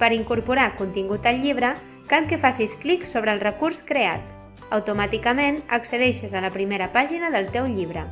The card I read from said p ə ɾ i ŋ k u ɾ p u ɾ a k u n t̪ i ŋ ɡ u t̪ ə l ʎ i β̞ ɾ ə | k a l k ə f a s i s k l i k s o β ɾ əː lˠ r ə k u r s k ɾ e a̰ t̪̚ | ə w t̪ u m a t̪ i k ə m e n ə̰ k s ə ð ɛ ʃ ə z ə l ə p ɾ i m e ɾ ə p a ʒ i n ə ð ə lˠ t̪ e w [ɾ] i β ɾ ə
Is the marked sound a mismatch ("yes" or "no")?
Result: yes